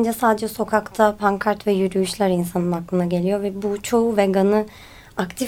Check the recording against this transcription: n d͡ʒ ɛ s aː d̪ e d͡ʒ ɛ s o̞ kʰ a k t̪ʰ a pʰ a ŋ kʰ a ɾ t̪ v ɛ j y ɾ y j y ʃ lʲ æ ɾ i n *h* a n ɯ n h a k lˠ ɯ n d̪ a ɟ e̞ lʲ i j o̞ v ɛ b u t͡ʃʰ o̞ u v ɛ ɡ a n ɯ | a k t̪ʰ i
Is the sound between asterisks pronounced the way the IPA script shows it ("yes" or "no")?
no